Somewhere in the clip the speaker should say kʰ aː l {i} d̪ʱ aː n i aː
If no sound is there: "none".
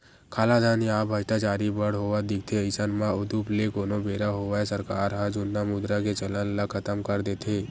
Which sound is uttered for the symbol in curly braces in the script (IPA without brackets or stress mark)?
a